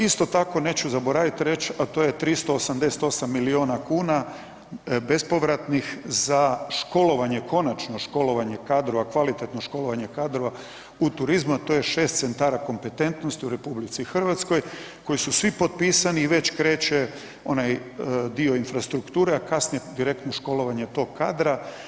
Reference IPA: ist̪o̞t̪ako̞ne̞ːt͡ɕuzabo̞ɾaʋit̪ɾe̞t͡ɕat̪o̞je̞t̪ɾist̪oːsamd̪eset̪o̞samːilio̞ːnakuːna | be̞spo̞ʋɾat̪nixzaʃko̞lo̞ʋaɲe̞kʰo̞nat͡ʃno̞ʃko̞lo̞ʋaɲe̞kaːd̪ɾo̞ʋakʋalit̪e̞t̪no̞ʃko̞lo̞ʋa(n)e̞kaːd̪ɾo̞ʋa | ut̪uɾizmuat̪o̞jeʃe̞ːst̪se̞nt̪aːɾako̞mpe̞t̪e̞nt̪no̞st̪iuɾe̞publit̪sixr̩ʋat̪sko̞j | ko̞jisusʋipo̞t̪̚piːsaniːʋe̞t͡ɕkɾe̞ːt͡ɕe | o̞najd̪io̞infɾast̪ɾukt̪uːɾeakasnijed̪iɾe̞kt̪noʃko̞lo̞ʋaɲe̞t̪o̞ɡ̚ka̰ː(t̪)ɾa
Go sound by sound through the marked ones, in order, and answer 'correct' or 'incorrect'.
incorrect, incorrect

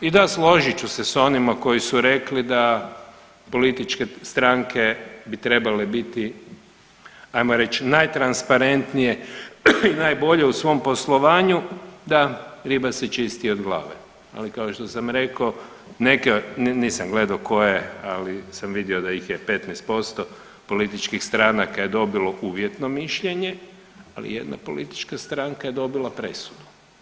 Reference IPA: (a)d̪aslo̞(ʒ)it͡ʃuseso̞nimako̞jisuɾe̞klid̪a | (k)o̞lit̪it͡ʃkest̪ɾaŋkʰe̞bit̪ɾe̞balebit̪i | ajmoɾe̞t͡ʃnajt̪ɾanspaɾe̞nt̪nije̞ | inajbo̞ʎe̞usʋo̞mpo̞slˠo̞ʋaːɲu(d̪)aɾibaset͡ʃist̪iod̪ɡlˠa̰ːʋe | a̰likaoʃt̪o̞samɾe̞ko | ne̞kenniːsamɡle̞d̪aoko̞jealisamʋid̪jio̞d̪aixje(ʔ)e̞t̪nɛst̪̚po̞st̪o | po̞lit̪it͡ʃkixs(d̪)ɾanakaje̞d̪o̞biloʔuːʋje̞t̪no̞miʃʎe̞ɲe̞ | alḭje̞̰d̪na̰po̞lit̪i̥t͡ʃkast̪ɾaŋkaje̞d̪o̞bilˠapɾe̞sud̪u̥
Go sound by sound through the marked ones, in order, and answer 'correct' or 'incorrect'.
incorrect, correct, incorrect, correct, incorrect, incorrect

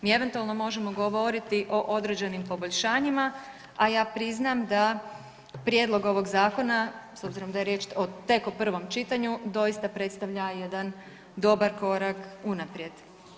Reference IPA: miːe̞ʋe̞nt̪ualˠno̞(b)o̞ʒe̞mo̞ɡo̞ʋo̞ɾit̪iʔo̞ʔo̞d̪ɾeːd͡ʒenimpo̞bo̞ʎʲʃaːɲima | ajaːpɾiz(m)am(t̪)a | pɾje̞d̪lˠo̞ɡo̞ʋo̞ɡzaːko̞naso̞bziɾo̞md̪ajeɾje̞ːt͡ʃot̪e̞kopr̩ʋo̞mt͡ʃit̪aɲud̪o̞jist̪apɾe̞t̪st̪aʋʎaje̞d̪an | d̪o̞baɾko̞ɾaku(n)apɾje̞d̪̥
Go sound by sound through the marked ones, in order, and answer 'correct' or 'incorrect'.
incorrect, incorrect, incorrect, correct

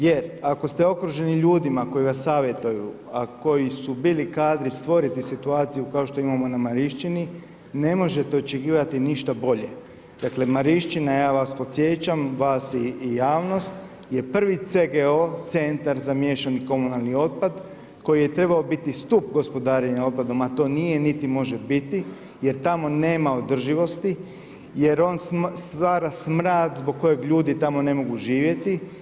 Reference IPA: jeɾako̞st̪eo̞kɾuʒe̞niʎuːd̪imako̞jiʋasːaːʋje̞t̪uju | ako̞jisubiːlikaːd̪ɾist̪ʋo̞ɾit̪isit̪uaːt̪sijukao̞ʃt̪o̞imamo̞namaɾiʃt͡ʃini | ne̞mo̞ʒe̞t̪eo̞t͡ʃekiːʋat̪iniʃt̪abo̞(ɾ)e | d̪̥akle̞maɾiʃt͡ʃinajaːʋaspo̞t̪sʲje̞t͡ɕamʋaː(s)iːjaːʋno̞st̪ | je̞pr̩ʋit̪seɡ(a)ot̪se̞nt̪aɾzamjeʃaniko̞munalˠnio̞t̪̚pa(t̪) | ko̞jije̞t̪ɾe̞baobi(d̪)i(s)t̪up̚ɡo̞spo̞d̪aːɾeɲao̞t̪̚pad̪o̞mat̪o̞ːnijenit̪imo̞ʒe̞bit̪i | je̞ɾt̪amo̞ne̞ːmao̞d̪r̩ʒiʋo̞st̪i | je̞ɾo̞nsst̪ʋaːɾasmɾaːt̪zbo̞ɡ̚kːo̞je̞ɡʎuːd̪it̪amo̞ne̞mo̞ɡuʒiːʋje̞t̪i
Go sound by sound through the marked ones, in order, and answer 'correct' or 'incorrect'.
incorrect, correct, incorrect, incorrect, incorrect, correct

